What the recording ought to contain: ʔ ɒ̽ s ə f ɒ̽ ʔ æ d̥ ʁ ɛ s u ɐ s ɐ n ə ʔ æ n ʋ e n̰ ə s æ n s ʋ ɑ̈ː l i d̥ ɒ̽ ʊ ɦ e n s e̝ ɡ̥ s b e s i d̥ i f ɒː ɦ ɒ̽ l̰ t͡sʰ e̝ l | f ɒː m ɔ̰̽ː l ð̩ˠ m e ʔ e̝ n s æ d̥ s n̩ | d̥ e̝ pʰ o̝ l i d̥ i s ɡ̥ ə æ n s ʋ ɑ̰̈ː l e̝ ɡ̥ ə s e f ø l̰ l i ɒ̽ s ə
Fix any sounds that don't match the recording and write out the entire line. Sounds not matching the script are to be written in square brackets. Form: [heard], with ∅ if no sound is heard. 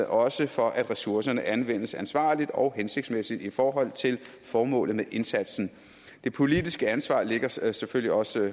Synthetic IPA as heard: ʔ ɒ̽ s ə f ɒ̽ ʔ æ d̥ ʁ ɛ s u ɐ s ɐ n ə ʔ æ n ʋ e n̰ ə s æ n s ʋ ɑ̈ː l i d̥ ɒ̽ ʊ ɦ e n s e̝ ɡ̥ s [m] e s i d̥ i f ɒː ɦ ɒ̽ l̰ t͡sʰ e̝ l | f ɒː m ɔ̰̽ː l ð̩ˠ m e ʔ e̝ n s æ d̥ s n̩ | d̥ e̝ pʰ o̝ l i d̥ i s ɡ̥ ə æ n s ʋ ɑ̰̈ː l e̝ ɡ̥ [ɐ] s e f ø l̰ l i ɒ̽ s ə